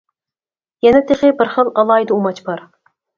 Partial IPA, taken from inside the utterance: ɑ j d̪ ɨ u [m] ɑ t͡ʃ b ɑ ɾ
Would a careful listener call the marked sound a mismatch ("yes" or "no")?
no